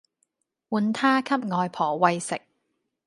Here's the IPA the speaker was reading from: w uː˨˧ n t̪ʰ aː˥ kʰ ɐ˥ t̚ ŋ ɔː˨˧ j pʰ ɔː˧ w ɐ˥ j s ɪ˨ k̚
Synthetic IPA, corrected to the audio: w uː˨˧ n t̪ʰ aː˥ kʰ ɐ˥ p̚ ŋ ɔː˨˧ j pʰ ɔː˨˩ w ɐ˧ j s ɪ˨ k̚